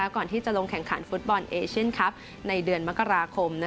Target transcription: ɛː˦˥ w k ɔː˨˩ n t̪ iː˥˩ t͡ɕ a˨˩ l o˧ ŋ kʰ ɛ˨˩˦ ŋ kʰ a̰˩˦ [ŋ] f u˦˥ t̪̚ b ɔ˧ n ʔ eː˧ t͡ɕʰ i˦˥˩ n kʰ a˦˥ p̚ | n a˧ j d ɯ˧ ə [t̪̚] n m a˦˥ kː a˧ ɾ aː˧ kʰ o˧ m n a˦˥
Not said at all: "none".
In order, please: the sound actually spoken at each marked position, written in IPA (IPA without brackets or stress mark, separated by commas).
n, none